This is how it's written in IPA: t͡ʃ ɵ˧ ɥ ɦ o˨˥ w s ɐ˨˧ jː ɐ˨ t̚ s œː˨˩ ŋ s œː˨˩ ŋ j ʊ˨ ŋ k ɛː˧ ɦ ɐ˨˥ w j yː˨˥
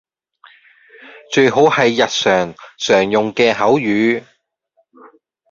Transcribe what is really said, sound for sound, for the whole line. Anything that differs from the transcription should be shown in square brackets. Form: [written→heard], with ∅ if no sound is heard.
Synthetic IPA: t͡ʃ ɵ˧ ɥ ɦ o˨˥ w [s→h] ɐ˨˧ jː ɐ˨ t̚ s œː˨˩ ŋ s œː˨˩ ŋ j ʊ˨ ŋ k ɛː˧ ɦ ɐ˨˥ w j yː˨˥